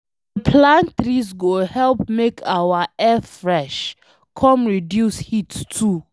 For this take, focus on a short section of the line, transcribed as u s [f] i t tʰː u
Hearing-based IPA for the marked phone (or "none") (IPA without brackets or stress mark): h